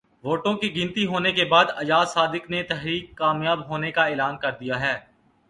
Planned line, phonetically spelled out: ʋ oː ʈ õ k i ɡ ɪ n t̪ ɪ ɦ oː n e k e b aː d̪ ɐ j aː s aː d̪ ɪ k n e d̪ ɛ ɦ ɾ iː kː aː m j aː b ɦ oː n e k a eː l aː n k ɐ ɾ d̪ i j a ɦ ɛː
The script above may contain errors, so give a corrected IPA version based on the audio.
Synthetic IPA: ʋ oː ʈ õ k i ɡ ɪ n t̪ i ɦ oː n e k e b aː d̪ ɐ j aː s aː d̪ ɪ k n e t̪ ɛ ɦ ɾ iː kː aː m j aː b ɦ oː n e k a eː l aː n k ɐ ɾ d̪ i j a ɦ ɛː